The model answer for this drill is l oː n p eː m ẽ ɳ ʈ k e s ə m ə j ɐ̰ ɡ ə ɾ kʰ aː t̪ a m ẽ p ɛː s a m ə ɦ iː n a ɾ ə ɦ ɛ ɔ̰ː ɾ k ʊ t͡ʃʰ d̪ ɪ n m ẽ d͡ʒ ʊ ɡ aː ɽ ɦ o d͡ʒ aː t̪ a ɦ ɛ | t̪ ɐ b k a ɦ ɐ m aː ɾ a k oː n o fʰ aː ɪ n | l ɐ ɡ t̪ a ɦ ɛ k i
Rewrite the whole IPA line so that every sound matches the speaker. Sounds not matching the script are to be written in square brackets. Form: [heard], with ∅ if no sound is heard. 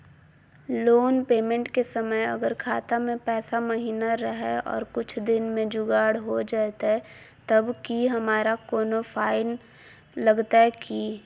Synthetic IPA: l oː n p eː m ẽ ɳ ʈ k e s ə m ə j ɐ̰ ɡ ə ɾ kʰ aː t̪ a m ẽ p ɛː s a m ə ɦ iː n a ɾ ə ɦ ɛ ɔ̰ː ɾ k ʊ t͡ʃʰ d̪ ɪ n m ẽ d͡ʒ ʊ ɡ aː ɽ ɦ o d͡ʒ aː t̪ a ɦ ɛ | t̪ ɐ b k [i] ɦ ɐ m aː ɾ a k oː n o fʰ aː ɪ n | l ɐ ɡ t̪ a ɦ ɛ k i